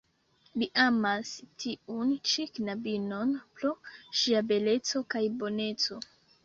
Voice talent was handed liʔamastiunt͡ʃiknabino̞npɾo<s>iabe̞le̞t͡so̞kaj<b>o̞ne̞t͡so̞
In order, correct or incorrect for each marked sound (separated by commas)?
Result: incorrect, correct